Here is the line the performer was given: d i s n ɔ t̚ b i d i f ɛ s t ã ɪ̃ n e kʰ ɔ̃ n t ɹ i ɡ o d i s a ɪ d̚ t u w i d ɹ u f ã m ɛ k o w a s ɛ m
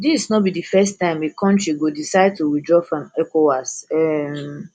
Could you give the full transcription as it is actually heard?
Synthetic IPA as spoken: d i s n ɔ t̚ b i d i f ɛ s t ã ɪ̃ m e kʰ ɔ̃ n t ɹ i ɡ o d i s a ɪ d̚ t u w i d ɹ ɔ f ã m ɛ k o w a s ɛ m